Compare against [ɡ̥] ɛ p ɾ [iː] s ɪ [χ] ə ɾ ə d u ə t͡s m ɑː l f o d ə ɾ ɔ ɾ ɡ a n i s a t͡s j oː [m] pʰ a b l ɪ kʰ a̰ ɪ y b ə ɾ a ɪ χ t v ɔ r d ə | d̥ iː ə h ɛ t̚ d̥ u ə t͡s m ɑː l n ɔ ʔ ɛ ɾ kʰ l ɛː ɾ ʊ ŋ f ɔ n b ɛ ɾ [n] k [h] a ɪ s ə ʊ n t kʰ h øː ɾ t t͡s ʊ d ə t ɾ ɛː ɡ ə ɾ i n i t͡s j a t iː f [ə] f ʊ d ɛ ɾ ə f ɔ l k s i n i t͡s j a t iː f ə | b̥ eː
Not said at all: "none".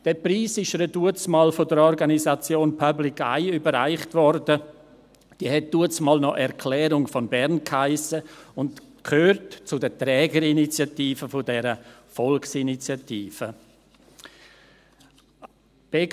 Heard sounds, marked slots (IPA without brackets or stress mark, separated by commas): d̥, iː, ʃ, n, n, h, ə